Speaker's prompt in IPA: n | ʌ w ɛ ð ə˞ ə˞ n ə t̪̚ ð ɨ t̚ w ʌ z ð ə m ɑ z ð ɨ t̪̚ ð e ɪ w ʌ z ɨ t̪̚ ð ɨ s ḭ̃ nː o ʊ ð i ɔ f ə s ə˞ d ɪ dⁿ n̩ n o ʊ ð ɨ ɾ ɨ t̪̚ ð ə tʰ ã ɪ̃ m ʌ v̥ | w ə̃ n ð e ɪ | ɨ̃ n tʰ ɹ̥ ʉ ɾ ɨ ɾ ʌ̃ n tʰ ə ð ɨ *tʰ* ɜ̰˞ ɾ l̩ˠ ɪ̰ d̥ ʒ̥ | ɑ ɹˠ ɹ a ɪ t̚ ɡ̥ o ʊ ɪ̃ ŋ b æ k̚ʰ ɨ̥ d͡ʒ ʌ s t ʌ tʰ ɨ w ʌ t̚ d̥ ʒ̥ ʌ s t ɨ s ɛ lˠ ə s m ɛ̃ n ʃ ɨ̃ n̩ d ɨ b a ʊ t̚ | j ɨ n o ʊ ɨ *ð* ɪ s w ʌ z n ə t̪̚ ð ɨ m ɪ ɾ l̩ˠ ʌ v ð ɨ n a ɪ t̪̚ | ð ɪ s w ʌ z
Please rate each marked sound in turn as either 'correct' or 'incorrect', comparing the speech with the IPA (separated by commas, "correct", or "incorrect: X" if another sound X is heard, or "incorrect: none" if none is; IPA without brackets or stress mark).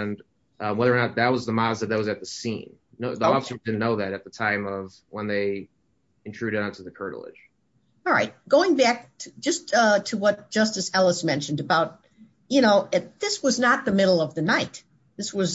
incorrect: kʰ, correct